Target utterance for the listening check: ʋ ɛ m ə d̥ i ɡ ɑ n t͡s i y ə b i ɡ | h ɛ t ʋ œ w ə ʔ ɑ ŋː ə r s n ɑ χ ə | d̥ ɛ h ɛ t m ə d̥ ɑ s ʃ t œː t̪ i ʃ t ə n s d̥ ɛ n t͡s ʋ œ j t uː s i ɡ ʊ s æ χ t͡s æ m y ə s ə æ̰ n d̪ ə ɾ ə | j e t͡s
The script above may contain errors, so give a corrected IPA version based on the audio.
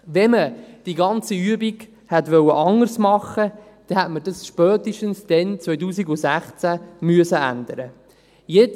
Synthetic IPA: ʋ ɛ m ə d̥ i ɡ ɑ n t͡s i y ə b i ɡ | h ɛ t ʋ œ w ə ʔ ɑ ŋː ə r s m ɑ χ ə | d̥ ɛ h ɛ t m ə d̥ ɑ s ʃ p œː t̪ i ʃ t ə n s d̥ ɛ n t͡s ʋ œ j t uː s i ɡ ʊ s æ χ t͡s æ m y ə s ə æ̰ n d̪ ə ɾ ə | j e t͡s